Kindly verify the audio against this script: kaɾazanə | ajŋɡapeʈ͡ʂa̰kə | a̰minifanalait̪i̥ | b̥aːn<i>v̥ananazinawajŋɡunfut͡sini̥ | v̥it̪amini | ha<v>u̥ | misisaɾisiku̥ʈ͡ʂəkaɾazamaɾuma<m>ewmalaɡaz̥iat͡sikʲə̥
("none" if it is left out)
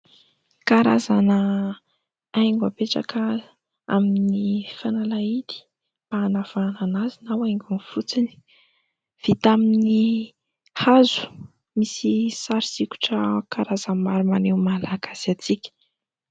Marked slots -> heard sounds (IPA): a, z, n

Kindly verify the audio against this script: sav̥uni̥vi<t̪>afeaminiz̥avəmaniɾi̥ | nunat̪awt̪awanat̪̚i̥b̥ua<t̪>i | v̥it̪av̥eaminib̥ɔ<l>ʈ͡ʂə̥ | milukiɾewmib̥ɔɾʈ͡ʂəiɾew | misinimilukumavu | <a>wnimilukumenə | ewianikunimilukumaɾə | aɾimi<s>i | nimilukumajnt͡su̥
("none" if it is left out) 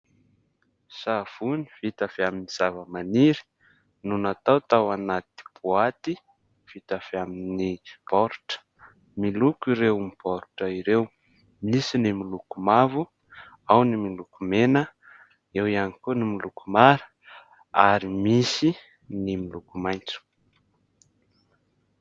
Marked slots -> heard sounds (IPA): t̪, t̪, ɾ, a, s

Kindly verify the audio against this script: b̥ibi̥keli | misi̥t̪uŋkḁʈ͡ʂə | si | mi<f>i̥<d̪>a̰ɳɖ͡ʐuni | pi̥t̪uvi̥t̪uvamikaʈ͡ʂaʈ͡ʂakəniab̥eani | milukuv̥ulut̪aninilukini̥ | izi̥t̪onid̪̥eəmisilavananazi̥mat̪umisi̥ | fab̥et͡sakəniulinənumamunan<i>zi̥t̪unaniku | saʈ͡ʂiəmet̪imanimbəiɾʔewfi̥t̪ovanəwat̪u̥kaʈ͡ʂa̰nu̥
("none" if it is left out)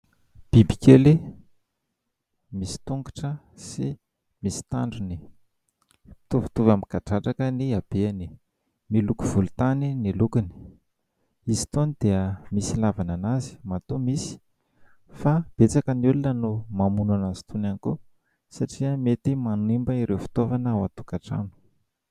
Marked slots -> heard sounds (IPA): s, t̪, a

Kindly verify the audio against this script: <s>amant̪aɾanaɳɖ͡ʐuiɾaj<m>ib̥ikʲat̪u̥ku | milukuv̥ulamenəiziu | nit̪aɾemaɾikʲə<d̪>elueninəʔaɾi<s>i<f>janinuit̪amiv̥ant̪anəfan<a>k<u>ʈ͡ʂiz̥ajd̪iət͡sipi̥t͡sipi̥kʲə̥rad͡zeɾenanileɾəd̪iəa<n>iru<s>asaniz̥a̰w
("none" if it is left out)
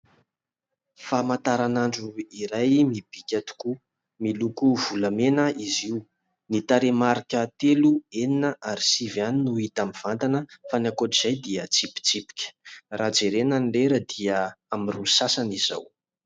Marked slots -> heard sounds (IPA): f, m, t̪, s, v, a, o, m, s

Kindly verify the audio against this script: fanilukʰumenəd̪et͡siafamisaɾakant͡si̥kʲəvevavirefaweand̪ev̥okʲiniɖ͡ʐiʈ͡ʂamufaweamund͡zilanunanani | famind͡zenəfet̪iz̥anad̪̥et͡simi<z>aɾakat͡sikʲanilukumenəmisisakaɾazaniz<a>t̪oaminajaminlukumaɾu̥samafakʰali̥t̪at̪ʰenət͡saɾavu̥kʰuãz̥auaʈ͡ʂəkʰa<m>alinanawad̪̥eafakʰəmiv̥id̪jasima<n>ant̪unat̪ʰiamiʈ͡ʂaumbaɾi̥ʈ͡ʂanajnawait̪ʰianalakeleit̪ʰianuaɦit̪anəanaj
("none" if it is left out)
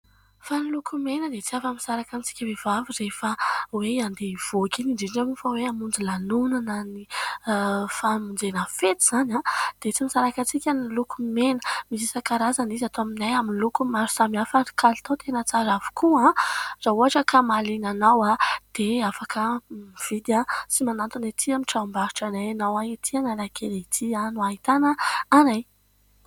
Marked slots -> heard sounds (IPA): s, a, m, n

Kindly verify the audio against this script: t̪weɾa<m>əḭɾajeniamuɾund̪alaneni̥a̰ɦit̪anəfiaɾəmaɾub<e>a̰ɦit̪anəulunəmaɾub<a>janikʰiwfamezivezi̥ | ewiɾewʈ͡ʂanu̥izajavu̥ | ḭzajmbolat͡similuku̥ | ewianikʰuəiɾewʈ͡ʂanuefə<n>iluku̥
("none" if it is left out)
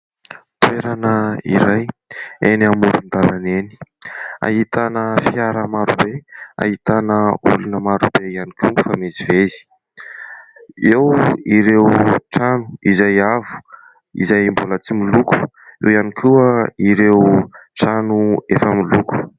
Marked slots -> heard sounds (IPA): n, e, e, m

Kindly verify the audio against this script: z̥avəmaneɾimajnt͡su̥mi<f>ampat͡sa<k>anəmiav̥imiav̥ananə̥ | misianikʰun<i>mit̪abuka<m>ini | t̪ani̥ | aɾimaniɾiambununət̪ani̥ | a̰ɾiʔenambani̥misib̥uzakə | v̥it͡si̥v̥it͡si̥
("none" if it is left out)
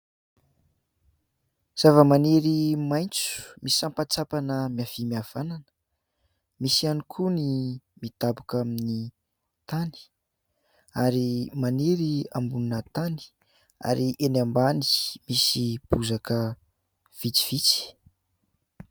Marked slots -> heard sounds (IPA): s, p, i, m

